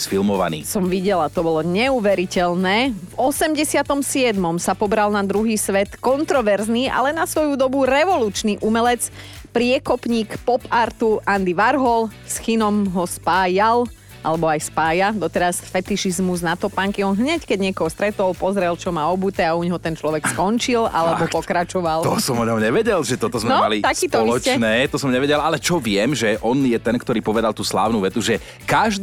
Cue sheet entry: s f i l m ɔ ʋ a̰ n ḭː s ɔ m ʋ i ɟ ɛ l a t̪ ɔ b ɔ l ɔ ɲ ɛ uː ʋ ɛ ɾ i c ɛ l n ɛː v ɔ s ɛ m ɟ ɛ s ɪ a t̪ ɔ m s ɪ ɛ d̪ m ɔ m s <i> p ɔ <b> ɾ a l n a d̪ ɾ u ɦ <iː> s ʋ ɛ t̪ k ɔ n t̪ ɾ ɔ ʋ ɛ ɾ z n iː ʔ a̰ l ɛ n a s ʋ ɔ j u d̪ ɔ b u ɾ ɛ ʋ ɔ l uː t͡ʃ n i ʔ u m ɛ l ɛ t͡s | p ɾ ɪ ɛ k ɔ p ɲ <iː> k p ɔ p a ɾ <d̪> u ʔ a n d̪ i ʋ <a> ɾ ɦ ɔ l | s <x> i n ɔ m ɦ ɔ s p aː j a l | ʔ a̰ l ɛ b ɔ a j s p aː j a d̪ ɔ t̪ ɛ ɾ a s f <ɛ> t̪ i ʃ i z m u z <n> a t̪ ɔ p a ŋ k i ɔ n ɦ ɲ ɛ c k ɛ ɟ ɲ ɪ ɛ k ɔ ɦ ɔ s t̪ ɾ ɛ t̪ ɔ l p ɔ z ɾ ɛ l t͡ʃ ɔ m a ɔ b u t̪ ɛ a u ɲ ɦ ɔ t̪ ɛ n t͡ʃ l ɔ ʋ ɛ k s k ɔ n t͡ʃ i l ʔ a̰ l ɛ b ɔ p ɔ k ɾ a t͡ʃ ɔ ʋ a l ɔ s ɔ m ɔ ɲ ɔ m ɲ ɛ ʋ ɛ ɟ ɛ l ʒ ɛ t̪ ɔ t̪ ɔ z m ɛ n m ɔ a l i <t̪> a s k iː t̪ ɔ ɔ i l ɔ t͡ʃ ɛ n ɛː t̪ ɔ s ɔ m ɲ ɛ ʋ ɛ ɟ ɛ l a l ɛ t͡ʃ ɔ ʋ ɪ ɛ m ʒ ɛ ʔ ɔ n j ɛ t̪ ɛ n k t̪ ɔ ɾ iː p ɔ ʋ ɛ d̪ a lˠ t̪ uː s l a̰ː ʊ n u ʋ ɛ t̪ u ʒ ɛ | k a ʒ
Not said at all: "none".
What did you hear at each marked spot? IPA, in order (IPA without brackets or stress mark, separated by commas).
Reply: a, b, iː, iː, t̪, a, x, ɛ, n, t̪